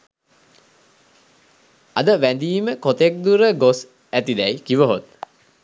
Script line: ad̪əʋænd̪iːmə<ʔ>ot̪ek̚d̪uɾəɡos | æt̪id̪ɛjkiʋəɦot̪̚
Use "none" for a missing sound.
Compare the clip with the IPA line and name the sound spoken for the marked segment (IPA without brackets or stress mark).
k